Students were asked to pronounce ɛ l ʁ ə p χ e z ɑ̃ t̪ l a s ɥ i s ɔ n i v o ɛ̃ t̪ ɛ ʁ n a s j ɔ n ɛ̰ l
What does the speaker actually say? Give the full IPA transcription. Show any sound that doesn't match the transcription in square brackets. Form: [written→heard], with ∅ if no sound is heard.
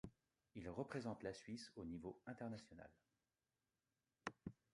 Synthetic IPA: [ɛ→i] l ʁ ə p χ e z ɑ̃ t̪ l a s ɥ i s [ɔ→o] n i v o ɛ̃ t̪ ɛ ʁ n a s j ɔ n [ɛ̰→a̰] l